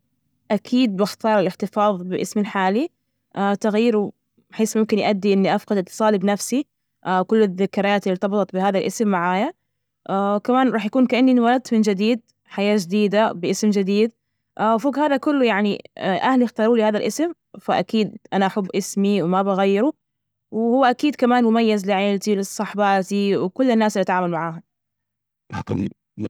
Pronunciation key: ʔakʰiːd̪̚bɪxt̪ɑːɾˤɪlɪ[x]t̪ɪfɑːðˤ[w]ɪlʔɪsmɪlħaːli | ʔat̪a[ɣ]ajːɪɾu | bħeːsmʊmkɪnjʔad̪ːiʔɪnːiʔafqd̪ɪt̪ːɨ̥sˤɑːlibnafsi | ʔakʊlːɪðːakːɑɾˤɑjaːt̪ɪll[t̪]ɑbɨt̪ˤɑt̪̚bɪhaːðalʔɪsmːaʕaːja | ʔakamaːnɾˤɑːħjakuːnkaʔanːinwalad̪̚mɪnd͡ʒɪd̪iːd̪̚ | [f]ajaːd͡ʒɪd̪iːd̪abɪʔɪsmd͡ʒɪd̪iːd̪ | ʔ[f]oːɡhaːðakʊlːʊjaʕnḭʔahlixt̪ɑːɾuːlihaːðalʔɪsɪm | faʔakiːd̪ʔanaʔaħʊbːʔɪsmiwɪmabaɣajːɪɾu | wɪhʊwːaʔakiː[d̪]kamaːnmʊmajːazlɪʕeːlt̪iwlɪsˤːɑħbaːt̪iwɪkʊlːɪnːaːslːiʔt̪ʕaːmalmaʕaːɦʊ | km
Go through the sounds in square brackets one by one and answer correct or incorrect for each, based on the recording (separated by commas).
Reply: incorrect, incorrect, correct, correct, incorrect, correct, correct